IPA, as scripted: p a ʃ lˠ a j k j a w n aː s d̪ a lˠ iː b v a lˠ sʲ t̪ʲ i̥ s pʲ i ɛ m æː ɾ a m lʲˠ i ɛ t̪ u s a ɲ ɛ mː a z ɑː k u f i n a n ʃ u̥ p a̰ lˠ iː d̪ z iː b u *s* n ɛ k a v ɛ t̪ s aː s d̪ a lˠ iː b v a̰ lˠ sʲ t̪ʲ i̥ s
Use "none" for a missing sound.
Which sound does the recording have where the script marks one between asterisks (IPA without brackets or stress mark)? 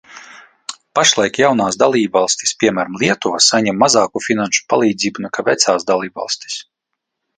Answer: none